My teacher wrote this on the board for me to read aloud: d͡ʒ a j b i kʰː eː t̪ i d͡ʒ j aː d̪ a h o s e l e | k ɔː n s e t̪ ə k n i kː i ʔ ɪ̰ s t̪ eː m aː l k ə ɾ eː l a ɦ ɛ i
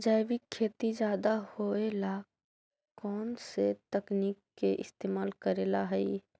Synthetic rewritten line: d͡ʒ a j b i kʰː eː t̪ i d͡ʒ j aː d̪ a h o e l a | k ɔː n s e t̪ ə k n i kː e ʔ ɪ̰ s t̪ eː m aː l k ə ɾ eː l a ɦ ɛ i

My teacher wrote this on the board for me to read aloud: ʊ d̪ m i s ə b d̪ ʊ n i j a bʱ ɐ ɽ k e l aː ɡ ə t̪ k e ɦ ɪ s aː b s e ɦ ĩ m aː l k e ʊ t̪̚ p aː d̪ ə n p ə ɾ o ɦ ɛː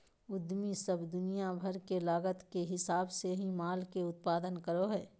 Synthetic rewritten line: ʊ d̪ m i s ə b d̪ ʊ n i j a bʱ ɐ ɾ k e l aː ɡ ə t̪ k e ɦ ɪ s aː b s e ɦ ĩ m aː l k e ʊ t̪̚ p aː d̪ ə n k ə ɾ o ɦ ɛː

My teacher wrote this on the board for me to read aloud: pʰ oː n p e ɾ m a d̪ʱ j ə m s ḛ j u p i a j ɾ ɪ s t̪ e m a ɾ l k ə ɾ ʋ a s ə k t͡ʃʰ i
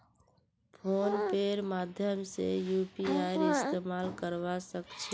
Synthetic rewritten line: pʰ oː n p e ɾ m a d̪ʱ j ə m s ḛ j u p i a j ɾ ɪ s t̪ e m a l k ə ɾ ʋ a s ə k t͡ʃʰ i

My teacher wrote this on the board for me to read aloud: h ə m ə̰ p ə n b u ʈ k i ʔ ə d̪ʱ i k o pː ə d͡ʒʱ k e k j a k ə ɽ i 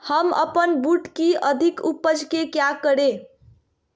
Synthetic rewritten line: h ə m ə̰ p ə n b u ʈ k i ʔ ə d̪ʱ i k u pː ə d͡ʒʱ k e k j a k ə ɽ e

